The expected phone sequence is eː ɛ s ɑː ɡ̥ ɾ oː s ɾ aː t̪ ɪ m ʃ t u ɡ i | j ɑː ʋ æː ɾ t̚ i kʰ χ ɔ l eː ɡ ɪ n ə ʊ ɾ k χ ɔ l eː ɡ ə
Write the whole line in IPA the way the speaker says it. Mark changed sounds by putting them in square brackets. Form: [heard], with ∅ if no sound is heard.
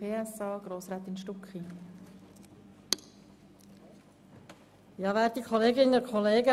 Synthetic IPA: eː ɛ s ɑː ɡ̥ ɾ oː s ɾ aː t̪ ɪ [n] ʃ t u [k] i | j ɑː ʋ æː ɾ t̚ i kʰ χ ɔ l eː ɡ ɪ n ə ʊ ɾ k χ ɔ l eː ɡ ə